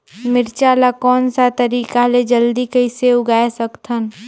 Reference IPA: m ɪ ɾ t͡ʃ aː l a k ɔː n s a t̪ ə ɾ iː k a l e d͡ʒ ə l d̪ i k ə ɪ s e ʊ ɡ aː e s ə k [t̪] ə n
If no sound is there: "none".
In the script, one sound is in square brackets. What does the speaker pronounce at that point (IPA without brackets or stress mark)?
t̪ʰ